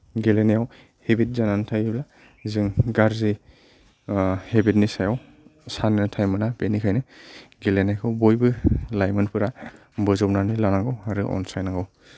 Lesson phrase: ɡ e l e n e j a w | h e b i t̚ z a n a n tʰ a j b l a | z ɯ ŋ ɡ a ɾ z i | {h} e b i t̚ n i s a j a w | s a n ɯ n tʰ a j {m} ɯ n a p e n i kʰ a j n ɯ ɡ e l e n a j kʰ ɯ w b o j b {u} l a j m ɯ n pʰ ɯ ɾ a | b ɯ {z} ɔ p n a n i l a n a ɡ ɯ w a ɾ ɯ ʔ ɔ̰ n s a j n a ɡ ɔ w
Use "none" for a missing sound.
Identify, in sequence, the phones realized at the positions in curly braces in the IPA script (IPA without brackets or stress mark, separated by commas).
h, m, ɯ, z